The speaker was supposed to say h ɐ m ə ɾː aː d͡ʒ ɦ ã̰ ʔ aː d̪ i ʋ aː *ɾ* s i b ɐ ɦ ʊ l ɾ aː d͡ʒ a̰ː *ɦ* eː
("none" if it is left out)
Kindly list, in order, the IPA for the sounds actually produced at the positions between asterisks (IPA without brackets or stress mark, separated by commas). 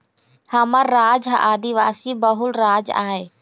none, ɦ